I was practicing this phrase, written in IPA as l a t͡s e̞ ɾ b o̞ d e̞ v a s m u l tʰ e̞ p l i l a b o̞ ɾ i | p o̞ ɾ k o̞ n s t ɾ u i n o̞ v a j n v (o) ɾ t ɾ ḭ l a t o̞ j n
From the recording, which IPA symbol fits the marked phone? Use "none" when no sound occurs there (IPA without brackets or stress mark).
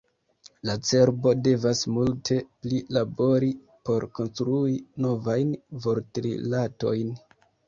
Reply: o